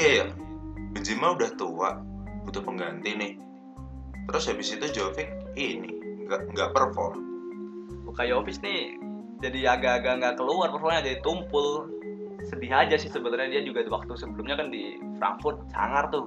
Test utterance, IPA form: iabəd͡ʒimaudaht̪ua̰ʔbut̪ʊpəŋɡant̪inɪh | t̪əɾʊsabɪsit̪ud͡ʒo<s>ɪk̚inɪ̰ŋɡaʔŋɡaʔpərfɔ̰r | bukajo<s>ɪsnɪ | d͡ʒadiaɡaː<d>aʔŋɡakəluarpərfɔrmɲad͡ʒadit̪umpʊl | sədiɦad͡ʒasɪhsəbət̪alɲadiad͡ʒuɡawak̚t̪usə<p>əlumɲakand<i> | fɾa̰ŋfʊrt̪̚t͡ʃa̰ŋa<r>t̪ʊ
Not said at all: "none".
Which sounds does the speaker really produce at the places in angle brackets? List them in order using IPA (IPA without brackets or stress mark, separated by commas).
f, f, ɡ, b, i, r